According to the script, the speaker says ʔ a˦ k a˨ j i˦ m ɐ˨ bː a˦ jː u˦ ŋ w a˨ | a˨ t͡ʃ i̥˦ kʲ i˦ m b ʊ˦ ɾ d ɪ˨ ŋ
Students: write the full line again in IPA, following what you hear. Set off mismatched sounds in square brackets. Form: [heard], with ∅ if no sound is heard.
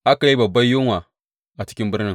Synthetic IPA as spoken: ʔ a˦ k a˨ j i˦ [b] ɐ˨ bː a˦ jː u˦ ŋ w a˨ | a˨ t͡ʃ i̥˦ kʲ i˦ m b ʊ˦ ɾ [n] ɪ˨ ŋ